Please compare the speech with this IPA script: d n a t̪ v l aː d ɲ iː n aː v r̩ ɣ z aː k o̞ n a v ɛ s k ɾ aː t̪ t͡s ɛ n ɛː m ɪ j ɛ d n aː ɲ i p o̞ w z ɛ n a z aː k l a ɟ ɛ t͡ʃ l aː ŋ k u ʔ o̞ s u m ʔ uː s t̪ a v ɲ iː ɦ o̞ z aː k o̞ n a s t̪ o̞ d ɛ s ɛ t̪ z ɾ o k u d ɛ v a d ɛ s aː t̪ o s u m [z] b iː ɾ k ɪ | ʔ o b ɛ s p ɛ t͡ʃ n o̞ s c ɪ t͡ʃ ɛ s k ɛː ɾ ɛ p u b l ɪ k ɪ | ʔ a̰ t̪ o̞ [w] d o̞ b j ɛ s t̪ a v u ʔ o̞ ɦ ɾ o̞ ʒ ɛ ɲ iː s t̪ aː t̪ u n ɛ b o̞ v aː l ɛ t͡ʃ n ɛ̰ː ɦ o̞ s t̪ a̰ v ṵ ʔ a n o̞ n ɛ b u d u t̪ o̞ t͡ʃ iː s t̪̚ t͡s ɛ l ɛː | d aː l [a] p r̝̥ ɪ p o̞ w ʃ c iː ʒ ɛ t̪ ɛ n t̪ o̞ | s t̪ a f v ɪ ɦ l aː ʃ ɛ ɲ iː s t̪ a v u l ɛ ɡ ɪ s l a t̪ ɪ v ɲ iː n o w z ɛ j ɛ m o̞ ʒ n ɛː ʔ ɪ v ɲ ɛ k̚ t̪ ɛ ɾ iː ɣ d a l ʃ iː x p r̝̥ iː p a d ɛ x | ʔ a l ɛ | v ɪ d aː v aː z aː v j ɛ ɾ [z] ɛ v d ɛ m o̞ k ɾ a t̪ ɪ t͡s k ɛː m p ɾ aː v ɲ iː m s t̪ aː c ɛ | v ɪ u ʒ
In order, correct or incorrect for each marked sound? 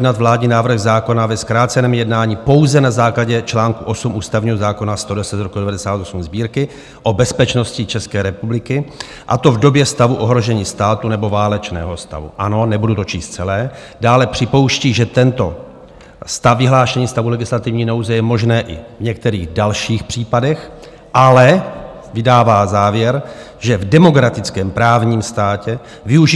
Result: correct, incorrect, incorrect, incorrect

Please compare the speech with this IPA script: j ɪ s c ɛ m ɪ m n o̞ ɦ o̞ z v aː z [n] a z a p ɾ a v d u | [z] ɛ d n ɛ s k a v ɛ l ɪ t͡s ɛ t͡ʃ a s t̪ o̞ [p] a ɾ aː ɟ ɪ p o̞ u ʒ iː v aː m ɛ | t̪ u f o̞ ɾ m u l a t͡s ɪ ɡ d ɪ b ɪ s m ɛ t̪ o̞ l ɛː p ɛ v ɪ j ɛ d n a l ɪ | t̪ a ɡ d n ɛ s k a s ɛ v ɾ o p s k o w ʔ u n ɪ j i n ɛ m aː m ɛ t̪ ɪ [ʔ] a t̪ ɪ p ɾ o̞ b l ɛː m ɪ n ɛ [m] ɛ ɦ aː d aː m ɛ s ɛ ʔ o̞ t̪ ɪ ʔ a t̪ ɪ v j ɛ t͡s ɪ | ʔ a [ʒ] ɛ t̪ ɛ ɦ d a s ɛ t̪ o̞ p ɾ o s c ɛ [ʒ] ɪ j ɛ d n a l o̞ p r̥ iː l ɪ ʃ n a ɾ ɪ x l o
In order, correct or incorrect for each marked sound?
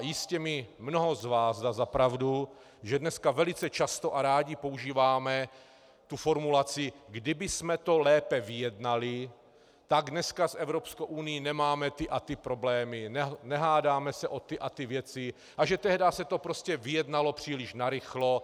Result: incorrect, incorrect, incorrect, correct, incorrect, correct, incorrect

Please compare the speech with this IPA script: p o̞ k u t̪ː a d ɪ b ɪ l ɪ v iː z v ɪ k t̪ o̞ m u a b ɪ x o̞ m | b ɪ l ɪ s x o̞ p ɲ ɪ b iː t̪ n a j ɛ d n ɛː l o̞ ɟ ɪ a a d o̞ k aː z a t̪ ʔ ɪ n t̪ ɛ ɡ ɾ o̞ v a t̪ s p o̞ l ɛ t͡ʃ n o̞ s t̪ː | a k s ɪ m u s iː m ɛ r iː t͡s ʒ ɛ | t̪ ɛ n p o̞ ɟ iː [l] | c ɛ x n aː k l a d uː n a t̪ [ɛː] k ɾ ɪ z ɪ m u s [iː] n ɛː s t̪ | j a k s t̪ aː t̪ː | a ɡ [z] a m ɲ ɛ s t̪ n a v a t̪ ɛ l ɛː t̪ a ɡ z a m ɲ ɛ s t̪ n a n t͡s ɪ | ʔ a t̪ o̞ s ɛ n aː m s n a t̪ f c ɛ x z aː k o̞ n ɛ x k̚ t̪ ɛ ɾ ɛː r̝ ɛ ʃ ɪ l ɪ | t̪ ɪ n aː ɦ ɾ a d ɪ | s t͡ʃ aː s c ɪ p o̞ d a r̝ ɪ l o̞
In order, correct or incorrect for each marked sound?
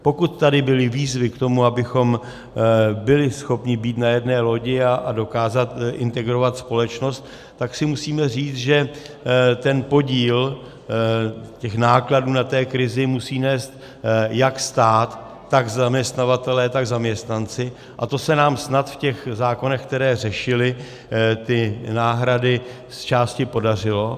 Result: correct, correct, correct, correct

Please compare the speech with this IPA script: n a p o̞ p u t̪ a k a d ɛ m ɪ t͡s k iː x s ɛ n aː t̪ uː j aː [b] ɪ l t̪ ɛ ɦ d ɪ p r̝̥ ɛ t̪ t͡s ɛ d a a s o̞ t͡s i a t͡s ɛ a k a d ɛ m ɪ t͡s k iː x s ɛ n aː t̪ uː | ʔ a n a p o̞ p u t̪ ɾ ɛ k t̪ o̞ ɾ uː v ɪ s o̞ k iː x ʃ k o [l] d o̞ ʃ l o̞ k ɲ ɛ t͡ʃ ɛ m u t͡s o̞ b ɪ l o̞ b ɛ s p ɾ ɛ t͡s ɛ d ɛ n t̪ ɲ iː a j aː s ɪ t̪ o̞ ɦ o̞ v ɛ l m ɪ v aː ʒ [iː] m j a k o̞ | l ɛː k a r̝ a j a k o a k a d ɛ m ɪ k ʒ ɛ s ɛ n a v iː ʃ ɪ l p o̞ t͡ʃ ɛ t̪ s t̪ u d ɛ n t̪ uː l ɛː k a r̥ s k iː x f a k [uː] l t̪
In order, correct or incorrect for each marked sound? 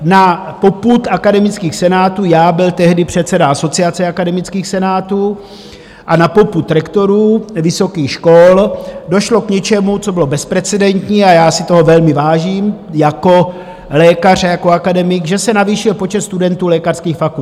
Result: correct, correct, correct, incorrect

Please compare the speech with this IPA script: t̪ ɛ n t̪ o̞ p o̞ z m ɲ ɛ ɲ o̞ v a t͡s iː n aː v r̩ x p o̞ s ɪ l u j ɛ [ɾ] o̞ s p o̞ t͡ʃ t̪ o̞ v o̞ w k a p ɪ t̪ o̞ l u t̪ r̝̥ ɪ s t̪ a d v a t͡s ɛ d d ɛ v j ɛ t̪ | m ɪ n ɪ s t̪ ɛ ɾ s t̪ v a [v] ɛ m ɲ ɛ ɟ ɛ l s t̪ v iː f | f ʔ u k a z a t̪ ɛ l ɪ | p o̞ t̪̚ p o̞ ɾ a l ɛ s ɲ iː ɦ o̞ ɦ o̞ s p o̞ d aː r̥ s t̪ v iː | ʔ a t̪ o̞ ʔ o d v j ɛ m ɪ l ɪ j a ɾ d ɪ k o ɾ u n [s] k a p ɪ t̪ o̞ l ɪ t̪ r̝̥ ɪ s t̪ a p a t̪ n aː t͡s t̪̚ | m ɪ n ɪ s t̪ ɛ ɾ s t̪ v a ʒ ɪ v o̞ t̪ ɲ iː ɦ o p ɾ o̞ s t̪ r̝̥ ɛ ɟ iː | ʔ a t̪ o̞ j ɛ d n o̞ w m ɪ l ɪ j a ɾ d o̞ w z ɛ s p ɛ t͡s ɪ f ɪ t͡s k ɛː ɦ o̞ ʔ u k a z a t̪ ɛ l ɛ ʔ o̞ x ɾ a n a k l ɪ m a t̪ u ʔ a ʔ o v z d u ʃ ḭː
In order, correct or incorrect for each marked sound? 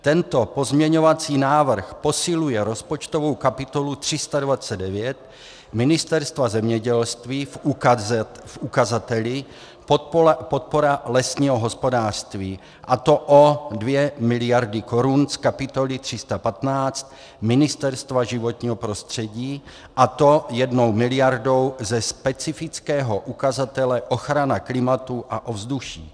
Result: correct, incorrect, correct

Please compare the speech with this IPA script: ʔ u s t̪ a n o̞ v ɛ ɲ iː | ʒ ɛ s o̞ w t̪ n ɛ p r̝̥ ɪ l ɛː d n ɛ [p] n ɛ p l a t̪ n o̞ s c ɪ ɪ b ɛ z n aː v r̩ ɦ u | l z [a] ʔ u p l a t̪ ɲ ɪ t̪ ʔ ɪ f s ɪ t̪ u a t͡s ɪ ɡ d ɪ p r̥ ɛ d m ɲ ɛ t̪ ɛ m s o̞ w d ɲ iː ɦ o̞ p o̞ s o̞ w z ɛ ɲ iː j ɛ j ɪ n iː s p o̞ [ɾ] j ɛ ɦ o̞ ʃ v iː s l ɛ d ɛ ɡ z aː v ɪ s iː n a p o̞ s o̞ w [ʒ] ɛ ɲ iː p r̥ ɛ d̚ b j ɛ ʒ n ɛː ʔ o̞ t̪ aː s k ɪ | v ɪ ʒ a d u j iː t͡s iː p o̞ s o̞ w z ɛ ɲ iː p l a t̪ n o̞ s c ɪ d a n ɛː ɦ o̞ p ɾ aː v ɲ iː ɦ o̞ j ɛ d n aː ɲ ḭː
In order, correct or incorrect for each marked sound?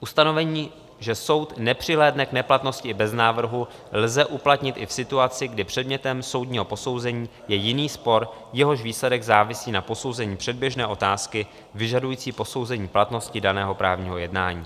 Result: incorrect, incorrect, correct, incorrect

